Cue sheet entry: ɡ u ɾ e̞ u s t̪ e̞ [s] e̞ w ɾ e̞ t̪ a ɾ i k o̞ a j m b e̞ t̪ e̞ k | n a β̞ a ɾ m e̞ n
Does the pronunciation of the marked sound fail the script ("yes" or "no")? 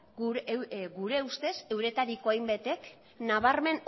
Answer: no